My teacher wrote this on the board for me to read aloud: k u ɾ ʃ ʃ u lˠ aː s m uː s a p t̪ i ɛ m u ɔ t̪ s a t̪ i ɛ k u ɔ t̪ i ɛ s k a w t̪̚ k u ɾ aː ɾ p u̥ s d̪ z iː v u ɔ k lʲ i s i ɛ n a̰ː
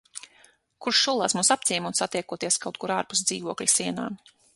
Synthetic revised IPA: k u ɾ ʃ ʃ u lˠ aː s m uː s a p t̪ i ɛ m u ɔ t̪ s a t̪ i ɛ k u ɔ t̪ i ɛ s k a w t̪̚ k u ɾ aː ɾ p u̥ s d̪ z iː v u ɔ k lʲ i s i ɛ n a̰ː